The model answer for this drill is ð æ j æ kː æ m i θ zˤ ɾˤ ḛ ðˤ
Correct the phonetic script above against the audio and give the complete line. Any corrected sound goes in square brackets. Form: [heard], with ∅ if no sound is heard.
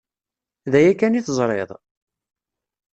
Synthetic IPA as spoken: ð æ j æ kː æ [n] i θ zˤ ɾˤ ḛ ðˤ